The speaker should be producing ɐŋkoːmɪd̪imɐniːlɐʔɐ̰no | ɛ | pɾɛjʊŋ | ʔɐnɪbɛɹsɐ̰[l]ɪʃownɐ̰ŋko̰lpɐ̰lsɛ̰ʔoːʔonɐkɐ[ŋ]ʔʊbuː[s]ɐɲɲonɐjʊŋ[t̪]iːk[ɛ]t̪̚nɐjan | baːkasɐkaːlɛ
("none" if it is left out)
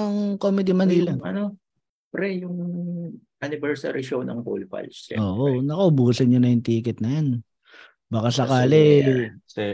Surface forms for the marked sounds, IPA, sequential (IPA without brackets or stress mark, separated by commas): ɾ, none, s, t̪, ɛ